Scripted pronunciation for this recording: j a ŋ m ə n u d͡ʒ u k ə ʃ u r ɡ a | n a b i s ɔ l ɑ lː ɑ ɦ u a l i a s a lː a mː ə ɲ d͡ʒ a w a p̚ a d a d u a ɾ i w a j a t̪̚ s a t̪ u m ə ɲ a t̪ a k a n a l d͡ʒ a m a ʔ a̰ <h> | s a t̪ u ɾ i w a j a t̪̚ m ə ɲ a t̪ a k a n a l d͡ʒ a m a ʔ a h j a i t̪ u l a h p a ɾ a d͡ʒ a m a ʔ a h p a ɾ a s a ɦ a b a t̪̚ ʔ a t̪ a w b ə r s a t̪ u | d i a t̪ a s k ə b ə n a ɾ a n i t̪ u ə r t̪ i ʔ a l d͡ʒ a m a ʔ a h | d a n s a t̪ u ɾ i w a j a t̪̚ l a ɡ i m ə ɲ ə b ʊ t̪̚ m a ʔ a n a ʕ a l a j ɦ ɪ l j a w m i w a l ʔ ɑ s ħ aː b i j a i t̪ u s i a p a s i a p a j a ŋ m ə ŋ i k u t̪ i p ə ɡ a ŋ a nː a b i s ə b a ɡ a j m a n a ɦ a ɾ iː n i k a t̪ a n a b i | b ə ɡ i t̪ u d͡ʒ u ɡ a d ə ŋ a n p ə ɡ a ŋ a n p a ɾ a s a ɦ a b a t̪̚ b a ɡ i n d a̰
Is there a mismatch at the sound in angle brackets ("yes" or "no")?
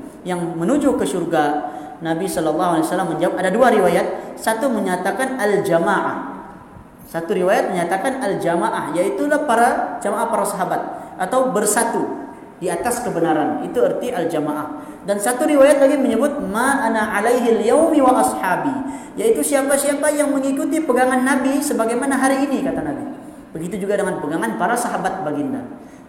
no